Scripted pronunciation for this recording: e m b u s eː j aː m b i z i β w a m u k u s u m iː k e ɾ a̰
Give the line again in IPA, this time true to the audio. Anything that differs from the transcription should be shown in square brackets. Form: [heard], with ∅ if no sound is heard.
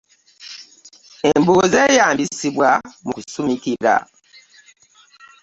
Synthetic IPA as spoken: e m b u [z] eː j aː m b i [s] i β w a m u k u s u m [i] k [i] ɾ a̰